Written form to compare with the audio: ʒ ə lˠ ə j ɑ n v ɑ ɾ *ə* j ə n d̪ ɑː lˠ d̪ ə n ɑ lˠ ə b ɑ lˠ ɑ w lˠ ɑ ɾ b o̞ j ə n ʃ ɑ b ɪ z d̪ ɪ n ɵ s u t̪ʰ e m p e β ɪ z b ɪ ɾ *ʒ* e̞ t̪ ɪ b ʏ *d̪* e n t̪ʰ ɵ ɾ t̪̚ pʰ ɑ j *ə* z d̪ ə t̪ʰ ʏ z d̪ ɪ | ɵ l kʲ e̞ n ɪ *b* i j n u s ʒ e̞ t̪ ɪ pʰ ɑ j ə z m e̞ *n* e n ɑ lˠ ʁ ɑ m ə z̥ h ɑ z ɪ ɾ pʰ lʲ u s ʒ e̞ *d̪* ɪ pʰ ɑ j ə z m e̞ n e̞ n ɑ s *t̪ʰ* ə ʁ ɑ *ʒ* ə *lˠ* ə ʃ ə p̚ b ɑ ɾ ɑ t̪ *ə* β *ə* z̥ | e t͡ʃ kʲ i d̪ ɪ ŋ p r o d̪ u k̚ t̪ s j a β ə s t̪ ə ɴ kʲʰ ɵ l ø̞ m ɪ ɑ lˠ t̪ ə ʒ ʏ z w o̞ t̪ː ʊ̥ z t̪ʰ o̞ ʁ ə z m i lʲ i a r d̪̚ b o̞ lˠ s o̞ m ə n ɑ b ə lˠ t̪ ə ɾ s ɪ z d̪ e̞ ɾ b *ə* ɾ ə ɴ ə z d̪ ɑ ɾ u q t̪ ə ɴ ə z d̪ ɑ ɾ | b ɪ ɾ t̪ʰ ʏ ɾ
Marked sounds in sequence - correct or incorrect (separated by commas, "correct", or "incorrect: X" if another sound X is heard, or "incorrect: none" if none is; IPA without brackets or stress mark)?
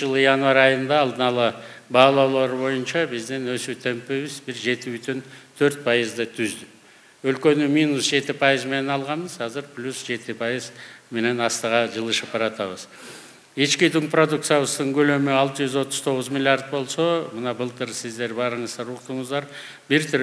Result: incorrect: ɑ, correct, incorrect: t̪, correct, incorrect: m, correct, incorrect: t̪, incorrect: t̪, correct, correct, incorrect: ɑ, correct, incorrect: ɑ